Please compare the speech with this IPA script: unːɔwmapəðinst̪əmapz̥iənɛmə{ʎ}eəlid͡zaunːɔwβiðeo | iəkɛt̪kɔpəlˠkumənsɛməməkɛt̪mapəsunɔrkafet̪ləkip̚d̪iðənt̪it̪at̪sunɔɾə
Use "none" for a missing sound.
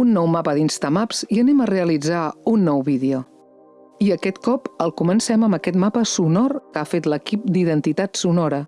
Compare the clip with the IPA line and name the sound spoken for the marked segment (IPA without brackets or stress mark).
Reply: r